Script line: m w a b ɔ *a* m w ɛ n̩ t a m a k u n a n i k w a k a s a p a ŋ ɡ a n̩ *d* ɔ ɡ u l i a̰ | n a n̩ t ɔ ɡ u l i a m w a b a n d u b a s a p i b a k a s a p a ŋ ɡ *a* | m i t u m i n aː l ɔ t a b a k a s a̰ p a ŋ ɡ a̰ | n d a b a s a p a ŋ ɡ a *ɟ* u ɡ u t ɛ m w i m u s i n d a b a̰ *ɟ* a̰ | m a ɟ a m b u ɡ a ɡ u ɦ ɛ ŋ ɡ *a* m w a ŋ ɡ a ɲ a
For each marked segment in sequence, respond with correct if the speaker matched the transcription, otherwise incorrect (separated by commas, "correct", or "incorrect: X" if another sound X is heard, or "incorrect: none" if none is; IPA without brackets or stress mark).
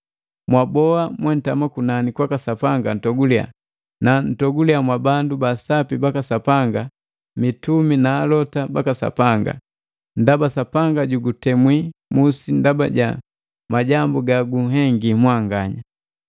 correct, incorrect: t, correct, correct, correct, incorrect: i